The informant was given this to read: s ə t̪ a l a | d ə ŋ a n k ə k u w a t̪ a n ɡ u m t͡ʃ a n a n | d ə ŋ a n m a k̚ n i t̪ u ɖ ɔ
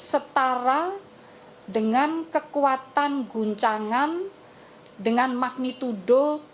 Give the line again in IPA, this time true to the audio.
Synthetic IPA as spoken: s ə t̪ a ɾ a | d ə ŋ a n k ə k u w a t̪ a n ɡ u ɲ t͡ʃ a ŋ a n | d ə ŋ a n m a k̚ n i t̪ u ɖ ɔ